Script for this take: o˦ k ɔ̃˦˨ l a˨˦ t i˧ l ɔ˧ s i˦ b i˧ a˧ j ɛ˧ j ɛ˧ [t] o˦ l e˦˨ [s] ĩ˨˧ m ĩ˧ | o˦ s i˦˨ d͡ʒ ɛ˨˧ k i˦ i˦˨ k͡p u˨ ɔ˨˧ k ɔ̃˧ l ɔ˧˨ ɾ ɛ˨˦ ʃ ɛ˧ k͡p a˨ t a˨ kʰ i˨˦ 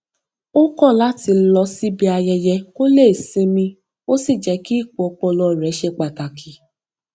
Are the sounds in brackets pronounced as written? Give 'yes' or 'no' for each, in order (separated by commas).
no, yes